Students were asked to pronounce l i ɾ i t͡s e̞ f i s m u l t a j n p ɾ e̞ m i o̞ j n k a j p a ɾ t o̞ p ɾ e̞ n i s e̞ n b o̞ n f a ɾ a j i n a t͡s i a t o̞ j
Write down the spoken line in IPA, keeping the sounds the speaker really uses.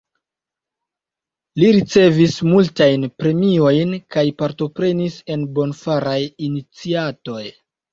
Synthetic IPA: l i ɾ i t͡s e̞ v i s m u l t a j n p ɾ e̞ m i o̞ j n k a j p a ɾ t o̞ p ɾ e̞ n i s e̞ n b o̞ n f a ɾ a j i n i t͡s i a t o̞ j